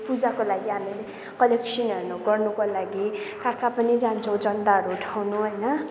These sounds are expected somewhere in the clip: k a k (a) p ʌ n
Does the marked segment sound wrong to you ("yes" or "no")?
no